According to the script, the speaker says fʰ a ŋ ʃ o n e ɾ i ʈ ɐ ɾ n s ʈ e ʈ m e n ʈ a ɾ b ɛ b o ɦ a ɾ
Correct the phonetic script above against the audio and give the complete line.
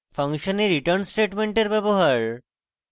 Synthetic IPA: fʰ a ŋ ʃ o n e ɾ i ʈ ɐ ɾ n s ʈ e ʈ m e ɳ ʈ e ɾ b ɛ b o ɦ a ɾ